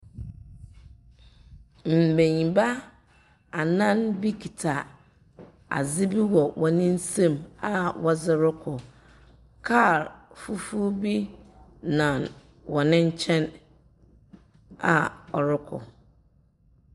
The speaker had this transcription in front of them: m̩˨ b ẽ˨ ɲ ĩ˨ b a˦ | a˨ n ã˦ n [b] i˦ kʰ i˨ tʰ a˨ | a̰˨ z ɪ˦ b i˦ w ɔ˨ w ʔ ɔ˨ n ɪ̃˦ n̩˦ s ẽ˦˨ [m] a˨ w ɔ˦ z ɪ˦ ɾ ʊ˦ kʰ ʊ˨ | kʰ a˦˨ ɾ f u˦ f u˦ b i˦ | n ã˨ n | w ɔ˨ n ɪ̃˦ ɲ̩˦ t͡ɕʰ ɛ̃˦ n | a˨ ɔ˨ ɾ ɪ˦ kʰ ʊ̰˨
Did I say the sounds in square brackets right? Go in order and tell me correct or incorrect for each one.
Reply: correct, correct

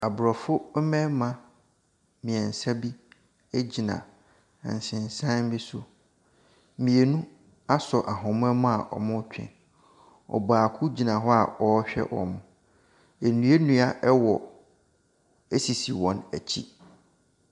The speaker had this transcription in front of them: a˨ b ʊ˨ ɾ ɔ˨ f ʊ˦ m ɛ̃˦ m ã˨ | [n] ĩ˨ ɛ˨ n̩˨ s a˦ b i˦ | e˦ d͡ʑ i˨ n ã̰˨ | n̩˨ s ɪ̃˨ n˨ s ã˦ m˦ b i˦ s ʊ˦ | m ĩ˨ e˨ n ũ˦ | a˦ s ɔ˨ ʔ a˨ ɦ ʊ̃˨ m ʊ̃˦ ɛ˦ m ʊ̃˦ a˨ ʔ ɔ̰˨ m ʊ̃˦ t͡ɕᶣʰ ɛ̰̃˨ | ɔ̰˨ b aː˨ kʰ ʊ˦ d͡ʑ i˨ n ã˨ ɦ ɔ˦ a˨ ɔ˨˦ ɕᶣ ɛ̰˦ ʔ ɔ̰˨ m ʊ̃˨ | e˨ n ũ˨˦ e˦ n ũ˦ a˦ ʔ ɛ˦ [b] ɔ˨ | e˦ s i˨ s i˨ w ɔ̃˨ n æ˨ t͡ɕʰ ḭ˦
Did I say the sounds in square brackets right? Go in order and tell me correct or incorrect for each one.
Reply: incorrect: m, incorrect: w

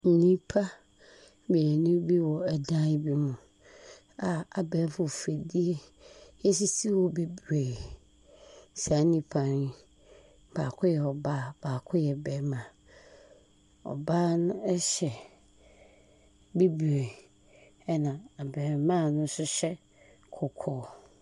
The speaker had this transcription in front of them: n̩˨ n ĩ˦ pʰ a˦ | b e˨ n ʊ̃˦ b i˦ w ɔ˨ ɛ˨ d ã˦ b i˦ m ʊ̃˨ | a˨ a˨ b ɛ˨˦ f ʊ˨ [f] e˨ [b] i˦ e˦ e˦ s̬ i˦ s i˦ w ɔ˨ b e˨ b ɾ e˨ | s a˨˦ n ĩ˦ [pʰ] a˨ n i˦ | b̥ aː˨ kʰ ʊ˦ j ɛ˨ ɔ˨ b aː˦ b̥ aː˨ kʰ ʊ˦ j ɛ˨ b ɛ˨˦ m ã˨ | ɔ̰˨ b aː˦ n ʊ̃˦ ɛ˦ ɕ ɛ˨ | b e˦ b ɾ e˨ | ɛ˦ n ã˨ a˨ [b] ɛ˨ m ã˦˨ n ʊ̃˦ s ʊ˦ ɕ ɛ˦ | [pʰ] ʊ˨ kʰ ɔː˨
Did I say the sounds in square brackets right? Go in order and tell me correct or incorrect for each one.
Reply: correct, incorrect: d, correct, correct, incorrect: kʰ

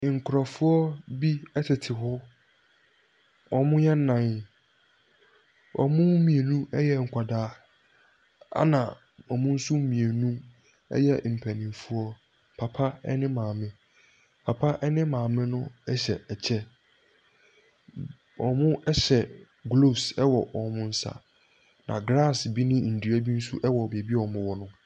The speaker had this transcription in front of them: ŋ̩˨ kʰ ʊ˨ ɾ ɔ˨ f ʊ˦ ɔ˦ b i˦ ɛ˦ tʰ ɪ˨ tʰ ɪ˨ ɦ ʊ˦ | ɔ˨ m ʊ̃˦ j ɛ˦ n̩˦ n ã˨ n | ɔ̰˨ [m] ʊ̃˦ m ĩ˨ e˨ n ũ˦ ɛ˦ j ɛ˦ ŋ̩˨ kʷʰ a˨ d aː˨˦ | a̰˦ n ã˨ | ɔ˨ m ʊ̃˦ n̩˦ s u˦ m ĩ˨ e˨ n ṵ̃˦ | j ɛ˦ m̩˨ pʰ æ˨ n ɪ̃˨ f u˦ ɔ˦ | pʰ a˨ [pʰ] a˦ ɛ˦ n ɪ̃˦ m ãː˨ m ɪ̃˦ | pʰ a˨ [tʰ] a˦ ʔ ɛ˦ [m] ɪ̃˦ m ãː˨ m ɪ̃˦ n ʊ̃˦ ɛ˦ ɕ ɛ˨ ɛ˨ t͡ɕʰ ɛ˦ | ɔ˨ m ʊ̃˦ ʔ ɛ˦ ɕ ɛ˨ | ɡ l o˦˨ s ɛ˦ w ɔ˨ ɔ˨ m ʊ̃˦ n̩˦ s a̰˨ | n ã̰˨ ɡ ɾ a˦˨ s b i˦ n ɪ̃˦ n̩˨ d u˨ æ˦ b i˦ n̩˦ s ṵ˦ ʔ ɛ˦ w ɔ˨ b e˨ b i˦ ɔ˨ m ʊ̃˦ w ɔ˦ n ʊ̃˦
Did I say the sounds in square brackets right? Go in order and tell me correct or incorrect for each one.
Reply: correct, correct, incorrect: pʰ, incorrect: n

